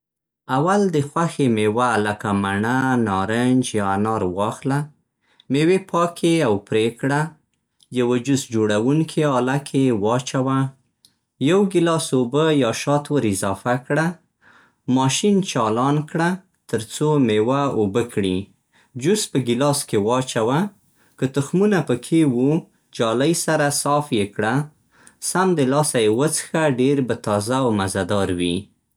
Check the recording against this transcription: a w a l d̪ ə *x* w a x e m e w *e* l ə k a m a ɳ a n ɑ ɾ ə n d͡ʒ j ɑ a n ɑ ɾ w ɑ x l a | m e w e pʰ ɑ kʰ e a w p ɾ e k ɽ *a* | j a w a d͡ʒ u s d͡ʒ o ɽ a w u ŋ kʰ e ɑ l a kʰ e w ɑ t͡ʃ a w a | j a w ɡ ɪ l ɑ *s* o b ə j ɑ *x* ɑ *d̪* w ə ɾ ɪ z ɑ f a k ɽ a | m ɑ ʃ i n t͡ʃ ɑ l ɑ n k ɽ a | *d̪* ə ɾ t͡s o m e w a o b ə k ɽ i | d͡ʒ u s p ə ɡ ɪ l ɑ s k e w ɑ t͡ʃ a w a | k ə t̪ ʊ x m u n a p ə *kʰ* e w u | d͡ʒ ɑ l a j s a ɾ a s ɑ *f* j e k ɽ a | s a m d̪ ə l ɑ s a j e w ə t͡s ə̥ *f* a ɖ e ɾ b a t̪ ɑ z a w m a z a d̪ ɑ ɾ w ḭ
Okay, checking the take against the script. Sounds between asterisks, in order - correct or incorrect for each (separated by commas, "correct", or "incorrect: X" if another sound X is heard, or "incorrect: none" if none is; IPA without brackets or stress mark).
correct, incorrect: a, correct, correct, incorrect: ʃ, incorrect: t̪, incorrect: t̪, correct, correct, incorrect: x